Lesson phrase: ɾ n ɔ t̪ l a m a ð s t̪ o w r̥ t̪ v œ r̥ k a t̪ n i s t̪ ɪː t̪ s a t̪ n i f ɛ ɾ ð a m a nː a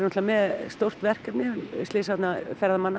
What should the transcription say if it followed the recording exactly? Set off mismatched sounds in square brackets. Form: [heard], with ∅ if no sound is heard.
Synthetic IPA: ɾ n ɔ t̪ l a m [ɛ] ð s t̪ o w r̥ t̪ v [ɛ] r̥ k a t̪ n [ɪ] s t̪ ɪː [∅] s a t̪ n [a] f ɛ ɾ ð a m a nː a